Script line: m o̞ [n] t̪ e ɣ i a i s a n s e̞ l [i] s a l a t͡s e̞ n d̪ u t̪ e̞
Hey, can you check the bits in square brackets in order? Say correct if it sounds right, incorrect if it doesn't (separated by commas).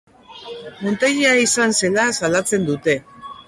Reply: correct, incorrect